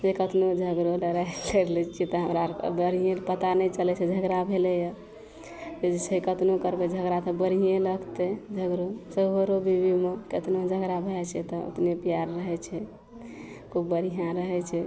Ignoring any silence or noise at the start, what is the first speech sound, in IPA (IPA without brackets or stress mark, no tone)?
d͡ʒ